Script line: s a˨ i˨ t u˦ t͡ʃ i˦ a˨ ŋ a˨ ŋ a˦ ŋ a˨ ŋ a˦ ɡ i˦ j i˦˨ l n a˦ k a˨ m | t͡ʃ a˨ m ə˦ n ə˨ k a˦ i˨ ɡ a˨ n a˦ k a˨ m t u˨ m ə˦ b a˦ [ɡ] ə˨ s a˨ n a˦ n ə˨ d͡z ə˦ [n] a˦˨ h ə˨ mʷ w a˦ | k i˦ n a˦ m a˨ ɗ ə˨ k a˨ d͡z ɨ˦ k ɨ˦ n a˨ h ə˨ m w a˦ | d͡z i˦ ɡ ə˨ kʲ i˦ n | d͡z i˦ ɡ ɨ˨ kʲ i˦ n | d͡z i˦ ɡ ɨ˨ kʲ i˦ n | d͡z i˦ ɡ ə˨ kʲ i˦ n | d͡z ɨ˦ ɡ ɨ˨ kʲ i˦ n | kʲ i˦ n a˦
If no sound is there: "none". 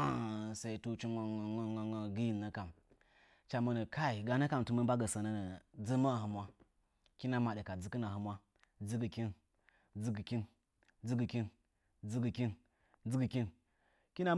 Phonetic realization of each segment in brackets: ɡ, m

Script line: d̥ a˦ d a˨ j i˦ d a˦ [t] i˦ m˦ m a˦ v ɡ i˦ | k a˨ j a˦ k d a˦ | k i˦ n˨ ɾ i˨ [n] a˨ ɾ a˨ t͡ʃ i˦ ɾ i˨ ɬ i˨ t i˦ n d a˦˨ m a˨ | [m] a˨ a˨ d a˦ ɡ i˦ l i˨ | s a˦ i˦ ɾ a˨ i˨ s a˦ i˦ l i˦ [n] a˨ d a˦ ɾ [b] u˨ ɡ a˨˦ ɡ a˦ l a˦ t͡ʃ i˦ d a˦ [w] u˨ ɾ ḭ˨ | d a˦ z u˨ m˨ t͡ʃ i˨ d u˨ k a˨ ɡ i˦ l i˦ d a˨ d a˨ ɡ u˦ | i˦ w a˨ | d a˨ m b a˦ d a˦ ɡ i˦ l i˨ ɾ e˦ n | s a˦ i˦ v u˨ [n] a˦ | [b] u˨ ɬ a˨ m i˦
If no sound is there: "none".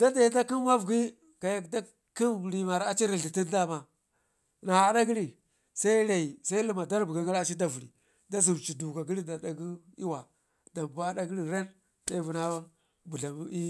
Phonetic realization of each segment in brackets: k, m, n, m, b, v, n, b

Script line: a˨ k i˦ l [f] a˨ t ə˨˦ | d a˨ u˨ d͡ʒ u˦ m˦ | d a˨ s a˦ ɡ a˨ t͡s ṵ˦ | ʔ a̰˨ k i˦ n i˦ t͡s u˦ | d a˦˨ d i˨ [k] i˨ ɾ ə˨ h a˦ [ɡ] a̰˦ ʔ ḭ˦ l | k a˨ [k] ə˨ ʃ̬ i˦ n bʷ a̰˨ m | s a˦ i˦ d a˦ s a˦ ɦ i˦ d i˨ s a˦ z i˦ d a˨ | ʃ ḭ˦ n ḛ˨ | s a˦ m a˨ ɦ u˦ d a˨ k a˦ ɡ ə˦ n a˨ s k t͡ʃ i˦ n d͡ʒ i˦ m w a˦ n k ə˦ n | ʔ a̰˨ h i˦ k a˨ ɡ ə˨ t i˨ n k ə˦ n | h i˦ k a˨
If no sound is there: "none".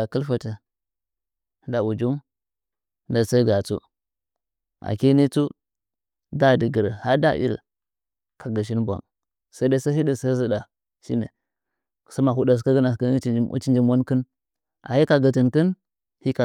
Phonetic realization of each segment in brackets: f, ɡ, d, ɡ

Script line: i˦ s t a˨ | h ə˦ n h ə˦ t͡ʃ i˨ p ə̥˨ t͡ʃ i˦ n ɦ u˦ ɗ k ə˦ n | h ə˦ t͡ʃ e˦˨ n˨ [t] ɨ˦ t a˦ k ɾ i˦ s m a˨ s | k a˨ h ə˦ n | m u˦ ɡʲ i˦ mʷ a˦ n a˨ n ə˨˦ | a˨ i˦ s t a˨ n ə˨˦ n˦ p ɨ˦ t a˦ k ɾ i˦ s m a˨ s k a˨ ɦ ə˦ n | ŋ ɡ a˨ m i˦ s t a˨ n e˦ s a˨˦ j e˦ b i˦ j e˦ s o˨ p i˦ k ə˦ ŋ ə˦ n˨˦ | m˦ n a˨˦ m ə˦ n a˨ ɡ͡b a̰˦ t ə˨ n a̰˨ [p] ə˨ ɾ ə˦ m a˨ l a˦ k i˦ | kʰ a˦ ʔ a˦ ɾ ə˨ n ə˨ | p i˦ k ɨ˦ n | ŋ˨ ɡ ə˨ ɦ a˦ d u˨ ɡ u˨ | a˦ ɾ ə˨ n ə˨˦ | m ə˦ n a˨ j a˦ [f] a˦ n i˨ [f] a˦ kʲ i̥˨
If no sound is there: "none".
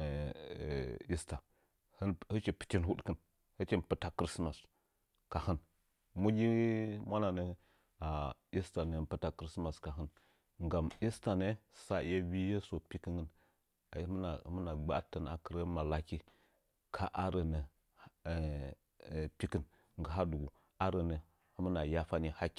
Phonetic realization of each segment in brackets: p, k, f, h

